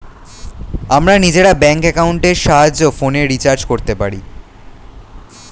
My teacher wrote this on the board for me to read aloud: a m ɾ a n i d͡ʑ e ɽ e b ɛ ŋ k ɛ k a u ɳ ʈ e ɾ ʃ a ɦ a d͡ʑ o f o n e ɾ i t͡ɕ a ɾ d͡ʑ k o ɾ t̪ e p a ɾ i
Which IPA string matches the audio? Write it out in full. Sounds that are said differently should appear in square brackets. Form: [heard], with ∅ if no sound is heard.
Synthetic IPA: a m ɾ a n i d͡ʑ e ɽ [a] b ɛ ŋ k ɛ k a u ɳ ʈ e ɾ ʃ a ɦ a d͡ʑ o f o n e ɾ i t͡ɕ a ɾ d͡ʑ k o ɾ t̪ e p a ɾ i